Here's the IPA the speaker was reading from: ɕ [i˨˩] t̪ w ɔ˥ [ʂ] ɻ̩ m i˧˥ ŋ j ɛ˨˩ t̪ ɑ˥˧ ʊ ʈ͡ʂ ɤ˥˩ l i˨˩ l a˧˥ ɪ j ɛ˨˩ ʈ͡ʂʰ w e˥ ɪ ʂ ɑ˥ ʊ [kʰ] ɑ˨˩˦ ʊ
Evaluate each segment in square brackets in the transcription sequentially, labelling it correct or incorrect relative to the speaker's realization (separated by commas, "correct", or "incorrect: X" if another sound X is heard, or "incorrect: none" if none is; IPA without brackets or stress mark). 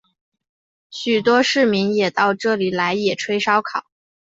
incorrect: y˨˩, correct, correct